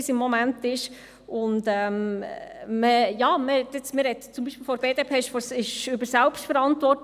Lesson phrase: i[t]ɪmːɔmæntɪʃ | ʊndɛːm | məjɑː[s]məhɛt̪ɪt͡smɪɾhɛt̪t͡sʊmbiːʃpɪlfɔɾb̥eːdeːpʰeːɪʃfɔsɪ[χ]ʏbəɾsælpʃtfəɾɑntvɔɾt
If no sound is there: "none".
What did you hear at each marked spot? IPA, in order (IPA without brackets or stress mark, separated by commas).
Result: s, none, ʃ